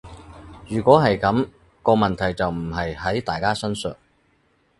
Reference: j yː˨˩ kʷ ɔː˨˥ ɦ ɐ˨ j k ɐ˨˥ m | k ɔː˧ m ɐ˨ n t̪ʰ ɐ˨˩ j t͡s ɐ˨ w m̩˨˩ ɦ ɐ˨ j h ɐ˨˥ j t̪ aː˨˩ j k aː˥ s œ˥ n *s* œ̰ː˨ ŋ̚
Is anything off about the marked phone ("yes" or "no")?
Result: no